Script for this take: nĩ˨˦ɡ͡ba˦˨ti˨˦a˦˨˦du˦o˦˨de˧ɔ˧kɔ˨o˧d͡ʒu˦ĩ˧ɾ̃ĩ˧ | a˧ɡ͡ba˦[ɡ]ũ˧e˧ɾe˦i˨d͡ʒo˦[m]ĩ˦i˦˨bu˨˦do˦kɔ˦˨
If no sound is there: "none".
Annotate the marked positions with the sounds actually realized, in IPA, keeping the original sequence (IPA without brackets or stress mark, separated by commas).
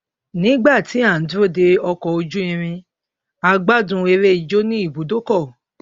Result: d, n